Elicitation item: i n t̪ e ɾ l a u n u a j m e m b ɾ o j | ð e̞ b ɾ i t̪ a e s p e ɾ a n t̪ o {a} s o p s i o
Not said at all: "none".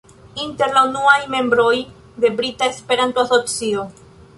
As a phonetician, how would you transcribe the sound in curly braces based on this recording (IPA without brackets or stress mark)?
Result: a